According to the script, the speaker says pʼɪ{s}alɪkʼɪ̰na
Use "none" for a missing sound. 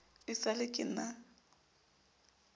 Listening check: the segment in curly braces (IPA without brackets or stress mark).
s